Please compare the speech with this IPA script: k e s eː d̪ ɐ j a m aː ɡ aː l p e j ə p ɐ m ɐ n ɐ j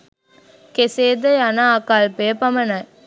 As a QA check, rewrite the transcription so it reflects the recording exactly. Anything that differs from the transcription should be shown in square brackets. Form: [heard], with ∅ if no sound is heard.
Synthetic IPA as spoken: k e s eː d̪ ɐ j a [n] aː [k] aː l p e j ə p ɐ m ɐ n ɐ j